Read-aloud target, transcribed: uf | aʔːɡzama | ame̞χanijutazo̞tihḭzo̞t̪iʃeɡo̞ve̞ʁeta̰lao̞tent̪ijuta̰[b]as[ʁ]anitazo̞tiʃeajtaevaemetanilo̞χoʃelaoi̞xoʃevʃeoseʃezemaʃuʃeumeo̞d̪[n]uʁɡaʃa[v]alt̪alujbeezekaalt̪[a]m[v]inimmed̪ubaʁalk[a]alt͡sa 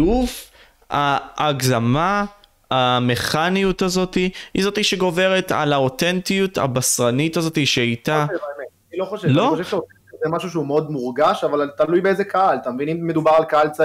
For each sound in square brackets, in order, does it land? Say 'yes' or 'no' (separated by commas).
yes, yes, no, yes, yes, yes, yes